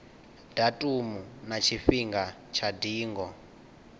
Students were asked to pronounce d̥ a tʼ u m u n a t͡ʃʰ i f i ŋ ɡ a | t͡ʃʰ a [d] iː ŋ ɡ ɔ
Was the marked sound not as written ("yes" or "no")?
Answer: no